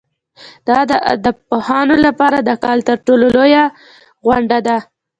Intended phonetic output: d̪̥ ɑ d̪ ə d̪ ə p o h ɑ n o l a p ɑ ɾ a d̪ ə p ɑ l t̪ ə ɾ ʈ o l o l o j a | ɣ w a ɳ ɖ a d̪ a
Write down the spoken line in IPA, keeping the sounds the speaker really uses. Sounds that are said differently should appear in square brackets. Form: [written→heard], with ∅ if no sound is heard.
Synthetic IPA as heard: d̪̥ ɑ d̪ ə d̪ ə p o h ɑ n o l a p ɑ ɾ a d̪ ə [p→k] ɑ l t̪ ə ɾ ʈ o l o l o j a | ɣ w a ɳ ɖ a d̪ a